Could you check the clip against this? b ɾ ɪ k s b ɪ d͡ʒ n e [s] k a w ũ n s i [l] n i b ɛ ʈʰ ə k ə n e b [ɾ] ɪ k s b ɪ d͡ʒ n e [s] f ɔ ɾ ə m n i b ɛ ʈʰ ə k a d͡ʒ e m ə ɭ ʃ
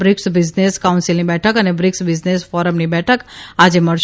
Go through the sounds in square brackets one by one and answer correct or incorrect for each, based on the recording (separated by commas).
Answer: correct, correct, correct, correct